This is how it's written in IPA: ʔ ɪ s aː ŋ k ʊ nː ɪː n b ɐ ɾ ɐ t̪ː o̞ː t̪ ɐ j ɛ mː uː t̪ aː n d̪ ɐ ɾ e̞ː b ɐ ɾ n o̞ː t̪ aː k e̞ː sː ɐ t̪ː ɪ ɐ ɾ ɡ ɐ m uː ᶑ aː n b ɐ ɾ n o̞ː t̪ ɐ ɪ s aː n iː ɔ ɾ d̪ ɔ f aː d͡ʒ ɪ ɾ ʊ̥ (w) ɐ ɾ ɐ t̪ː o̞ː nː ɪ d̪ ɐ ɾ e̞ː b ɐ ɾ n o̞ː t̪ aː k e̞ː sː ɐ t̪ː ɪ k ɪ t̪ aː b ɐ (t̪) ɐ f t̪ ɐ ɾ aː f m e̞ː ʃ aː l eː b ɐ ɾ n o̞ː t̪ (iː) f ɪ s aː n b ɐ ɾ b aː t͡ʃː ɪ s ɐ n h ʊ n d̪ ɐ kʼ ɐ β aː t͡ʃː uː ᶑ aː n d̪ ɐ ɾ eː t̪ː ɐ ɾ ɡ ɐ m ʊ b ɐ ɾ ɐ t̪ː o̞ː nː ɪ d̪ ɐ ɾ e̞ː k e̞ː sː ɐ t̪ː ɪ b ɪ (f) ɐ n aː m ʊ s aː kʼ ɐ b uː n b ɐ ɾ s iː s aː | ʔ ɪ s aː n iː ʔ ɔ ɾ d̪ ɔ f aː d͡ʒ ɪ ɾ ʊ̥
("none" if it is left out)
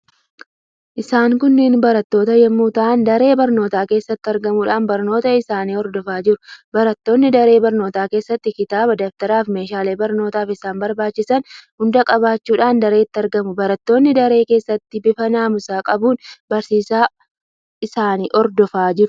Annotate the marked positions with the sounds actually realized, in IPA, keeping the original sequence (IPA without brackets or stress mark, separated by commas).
b, d̪, aː, f